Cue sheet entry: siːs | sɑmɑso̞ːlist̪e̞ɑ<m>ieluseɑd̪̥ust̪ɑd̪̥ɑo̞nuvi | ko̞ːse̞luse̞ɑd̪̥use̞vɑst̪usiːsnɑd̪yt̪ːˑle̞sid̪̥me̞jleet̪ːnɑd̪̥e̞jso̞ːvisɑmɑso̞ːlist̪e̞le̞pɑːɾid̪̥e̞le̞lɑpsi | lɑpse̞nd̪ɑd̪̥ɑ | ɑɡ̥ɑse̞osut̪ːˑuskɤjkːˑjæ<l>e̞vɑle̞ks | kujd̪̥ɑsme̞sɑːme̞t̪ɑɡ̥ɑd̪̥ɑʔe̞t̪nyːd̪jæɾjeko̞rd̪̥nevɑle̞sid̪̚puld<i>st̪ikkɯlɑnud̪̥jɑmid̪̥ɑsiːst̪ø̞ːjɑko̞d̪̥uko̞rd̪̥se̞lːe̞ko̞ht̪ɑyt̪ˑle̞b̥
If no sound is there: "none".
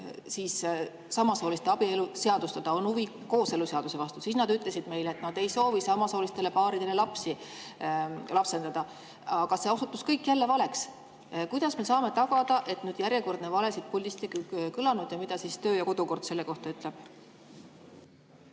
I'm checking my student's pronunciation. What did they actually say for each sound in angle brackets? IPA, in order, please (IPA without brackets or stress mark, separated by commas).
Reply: b, lː, i